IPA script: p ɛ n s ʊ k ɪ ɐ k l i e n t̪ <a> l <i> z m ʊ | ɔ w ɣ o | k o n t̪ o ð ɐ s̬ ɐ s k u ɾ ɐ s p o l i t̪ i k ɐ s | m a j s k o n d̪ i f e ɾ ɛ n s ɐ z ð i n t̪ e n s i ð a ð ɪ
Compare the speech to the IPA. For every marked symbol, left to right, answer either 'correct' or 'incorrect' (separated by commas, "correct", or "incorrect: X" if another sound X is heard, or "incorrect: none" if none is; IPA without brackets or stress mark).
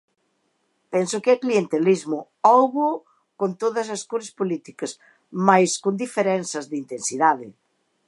incorrect: e, correct